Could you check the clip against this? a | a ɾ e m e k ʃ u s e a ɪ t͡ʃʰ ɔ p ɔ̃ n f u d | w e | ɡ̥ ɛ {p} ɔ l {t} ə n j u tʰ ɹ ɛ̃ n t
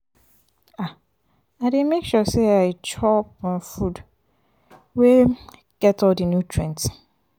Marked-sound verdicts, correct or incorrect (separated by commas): incorrect, incorrect